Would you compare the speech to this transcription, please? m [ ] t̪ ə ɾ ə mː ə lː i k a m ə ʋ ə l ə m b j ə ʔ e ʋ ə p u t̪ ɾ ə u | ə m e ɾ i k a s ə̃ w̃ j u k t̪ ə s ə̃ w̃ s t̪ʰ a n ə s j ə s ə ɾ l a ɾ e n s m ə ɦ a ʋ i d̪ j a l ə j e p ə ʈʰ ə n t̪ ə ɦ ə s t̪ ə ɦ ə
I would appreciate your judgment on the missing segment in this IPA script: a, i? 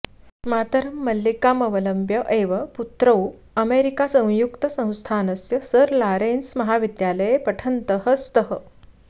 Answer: a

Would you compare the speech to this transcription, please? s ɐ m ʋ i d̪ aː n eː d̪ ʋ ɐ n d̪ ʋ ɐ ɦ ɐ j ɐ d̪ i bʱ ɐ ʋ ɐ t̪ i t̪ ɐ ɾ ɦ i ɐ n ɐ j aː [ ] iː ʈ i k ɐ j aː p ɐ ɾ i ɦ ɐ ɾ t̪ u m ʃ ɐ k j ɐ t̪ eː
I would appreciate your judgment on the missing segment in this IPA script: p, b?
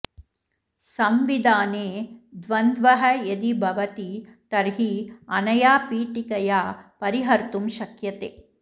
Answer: p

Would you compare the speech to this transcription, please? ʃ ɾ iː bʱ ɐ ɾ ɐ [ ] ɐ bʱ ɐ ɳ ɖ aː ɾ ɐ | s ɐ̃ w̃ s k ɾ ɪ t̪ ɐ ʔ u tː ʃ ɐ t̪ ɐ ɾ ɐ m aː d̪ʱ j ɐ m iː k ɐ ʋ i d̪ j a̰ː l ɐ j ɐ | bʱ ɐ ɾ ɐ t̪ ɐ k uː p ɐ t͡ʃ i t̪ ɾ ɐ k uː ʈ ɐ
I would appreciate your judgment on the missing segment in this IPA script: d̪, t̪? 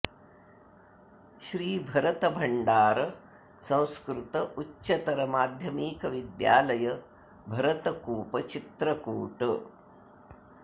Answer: t̪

